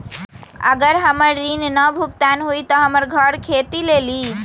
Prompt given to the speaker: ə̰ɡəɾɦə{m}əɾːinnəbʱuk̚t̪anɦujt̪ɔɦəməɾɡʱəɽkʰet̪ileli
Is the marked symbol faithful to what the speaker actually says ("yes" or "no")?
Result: yes